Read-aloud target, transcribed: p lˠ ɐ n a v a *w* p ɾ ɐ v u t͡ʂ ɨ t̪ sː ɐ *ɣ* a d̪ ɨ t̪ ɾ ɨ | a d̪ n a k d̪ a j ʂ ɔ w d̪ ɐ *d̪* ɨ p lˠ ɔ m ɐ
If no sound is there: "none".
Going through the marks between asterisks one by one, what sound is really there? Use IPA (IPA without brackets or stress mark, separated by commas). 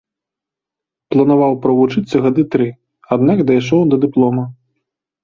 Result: w, ɣ, d̪